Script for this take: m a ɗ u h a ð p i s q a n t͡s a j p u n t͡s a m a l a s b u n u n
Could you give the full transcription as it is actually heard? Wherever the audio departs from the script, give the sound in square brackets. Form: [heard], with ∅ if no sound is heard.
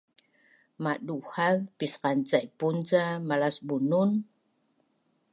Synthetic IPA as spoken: m a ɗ u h a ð p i s q a n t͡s a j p u n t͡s a m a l a s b u n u n